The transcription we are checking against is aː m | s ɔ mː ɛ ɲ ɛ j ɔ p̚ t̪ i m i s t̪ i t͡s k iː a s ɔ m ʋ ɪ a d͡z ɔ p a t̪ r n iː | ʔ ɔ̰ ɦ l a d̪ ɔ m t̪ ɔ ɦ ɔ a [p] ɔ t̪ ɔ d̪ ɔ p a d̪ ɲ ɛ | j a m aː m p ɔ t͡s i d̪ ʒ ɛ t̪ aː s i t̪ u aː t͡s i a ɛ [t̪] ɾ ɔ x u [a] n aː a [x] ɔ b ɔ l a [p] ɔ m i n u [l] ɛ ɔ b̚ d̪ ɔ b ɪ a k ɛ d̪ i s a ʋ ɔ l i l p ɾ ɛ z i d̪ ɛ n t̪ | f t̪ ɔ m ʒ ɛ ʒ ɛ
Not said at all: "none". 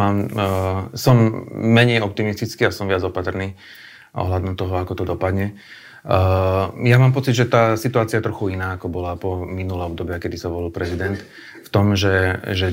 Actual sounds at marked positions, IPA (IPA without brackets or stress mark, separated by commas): k, t̪, i, k, p, l